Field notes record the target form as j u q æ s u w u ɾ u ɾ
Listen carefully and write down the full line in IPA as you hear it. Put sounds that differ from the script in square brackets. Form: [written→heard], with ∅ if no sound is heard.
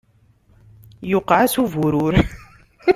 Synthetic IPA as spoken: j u q [æ→a] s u [w→v] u ɾ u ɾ